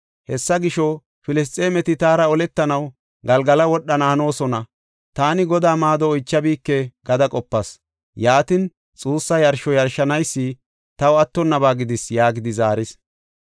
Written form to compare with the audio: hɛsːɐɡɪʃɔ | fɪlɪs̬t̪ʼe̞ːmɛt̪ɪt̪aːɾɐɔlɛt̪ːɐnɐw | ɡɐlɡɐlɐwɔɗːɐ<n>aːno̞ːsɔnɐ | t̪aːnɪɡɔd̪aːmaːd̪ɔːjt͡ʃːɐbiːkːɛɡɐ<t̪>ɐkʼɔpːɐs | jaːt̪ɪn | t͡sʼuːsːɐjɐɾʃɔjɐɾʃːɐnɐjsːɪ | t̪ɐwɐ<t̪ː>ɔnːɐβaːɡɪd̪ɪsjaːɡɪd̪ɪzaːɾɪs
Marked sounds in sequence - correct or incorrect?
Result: correct, incorrect: d̪, correct

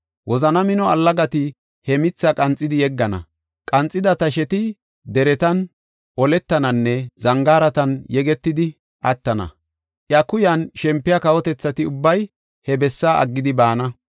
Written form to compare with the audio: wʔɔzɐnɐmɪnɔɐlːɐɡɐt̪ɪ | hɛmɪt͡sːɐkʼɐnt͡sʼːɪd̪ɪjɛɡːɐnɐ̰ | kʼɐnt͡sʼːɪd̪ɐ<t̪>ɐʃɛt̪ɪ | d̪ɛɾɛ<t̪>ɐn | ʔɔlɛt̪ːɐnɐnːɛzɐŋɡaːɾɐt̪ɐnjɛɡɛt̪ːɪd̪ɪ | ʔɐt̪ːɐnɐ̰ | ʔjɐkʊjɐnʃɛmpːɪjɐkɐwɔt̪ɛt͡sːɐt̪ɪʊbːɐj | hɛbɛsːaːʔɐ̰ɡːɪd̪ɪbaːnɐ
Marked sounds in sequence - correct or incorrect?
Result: correct, correct

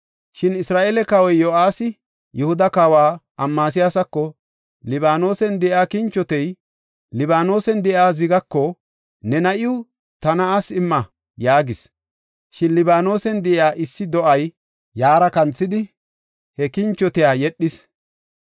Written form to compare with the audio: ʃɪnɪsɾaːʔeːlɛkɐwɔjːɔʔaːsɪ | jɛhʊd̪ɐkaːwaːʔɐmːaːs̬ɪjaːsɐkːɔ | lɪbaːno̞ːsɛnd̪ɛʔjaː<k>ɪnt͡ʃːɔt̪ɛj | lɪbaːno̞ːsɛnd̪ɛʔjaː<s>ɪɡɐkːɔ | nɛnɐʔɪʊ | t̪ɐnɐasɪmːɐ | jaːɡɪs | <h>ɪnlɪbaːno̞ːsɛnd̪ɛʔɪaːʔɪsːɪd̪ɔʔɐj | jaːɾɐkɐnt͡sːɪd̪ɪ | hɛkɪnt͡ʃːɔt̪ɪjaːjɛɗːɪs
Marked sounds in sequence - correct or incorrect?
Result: correct, incorrect: z, incorrect: ʃ

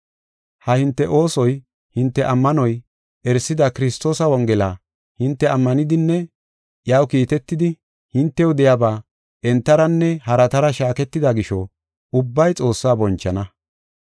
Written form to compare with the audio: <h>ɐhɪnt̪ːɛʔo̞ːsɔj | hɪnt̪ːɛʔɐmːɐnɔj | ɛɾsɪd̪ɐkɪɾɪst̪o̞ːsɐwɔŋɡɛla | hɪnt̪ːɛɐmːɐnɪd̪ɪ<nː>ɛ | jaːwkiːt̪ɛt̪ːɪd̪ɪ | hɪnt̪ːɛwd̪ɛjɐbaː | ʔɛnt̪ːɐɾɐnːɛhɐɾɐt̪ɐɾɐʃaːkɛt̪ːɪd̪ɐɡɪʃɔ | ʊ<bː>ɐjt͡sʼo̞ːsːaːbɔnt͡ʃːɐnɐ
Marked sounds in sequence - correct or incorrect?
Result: correct, correct, correct

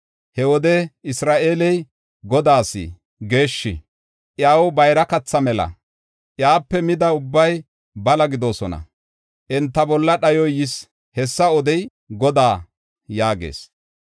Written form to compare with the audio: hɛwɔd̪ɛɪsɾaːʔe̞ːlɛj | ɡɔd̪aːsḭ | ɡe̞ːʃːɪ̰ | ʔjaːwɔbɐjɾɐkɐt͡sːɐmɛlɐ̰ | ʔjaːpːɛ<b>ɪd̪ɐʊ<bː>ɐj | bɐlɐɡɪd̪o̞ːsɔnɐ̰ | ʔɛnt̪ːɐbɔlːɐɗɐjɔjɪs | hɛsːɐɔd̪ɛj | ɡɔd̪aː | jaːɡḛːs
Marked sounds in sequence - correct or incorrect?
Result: incorrect: m, correct

